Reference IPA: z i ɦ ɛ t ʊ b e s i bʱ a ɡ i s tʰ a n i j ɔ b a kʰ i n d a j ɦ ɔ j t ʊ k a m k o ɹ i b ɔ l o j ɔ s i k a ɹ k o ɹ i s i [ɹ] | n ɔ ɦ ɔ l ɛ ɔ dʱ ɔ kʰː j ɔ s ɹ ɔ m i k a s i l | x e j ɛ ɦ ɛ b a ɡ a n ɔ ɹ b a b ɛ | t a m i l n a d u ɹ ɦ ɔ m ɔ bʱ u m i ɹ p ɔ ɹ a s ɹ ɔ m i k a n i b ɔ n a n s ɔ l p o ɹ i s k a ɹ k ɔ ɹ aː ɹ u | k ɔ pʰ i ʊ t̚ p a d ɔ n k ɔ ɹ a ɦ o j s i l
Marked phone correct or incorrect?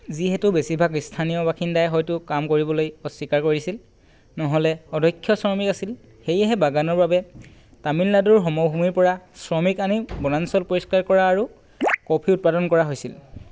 incorrect